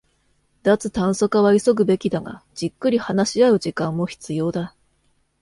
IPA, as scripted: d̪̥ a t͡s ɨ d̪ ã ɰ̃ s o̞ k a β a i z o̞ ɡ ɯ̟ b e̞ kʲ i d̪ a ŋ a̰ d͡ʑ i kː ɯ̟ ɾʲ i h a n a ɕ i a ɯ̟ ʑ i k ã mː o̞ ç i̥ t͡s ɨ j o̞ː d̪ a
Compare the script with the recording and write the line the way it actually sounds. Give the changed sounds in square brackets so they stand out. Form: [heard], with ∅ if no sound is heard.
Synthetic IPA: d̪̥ a t͡s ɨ [t̪] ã ɰ̃ s o̞ k a β a i [s] o̞ ɡ ɯ̟ b e̞ kʲ i d̪ a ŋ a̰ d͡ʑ i kː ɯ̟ ɾʲ i h a n a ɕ i a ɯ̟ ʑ i k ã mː o̞ ç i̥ t͡s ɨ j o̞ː d̪ a